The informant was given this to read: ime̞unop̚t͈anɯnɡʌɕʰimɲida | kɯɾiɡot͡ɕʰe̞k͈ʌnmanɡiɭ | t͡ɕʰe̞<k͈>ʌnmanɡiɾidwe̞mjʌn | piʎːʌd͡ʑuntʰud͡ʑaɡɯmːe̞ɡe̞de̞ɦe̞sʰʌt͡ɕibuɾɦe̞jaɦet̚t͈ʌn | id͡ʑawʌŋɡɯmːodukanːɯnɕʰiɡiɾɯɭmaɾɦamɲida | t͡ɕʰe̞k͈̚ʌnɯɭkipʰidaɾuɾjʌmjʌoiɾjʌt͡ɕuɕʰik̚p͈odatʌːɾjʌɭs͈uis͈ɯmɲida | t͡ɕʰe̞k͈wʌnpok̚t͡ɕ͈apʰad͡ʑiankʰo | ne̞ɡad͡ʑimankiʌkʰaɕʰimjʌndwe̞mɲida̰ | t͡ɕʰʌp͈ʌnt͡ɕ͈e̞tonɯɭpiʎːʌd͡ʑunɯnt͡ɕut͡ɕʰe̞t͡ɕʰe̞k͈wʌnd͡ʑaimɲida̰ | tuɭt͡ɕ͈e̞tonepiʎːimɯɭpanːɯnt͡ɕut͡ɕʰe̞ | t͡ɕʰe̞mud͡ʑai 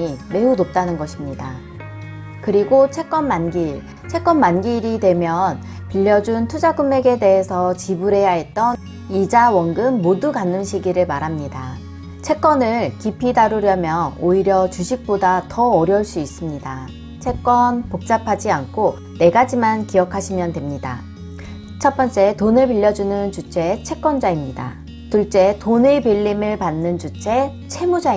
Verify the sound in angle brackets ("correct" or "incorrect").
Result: correct